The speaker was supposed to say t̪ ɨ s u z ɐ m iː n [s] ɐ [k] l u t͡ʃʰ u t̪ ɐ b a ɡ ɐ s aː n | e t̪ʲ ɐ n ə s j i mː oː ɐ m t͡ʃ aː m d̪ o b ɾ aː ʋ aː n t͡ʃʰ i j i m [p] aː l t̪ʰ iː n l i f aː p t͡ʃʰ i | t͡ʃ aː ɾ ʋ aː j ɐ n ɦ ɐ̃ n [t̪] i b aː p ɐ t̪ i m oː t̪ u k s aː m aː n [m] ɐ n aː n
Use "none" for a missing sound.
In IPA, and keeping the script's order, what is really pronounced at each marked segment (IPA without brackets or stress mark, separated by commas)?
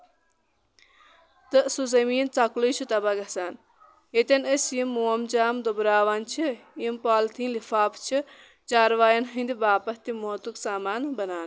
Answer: t͡s, k, p, d̪, b